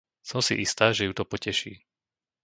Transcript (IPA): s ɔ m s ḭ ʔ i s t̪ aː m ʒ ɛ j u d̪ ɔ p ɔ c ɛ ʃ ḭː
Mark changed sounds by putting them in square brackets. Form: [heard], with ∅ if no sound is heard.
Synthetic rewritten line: s ɔ m s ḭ ʔ i s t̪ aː [∅] ʒ ɛ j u [t̪] ɔ p ɔ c ɛ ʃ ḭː